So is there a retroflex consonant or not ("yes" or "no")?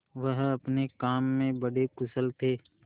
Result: yes